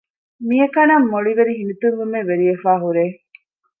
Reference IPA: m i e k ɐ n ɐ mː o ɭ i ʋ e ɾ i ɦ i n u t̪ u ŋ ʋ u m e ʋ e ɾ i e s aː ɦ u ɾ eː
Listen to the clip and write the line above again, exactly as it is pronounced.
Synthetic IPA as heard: m i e k ɐ n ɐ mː o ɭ i ʋ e ɾ i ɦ i n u t̪ u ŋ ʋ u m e ʋ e ɾ i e f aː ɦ u ɾ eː